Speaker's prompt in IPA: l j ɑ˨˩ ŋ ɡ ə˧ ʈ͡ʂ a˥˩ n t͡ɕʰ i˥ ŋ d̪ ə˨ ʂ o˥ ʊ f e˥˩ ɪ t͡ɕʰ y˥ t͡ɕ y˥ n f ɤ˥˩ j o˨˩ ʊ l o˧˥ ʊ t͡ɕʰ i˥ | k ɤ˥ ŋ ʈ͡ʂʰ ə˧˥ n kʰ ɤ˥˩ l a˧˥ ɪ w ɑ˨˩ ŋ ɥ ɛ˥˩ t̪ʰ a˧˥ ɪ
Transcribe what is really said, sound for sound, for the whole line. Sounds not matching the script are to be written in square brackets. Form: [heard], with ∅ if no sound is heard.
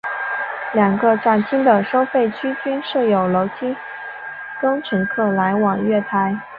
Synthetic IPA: l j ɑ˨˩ ŋ ɡ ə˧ ʈ͡ʂ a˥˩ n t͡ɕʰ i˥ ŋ d̪ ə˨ ʂ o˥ ʊ f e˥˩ ɪ t͡ɕʰ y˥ t͡ɕ y˥ n [ʂ] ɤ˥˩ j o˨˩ ʊ l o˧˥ ʊ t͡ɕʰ i˥ | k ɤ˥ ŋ ʈ͡ʂʰ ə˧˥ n kʰ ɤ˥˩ l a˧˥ ɪ w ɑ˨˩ ŋ ɥ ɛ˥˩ t̪ʰ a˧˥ ɪ